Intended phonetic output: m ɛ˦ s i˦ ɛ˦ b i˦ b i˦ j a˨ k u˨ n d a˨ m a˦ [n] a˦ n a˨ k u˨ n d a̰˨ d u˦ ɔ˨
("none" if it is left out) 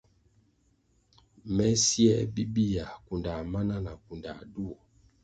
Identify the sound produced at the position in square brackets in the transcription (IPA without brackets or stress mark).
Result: n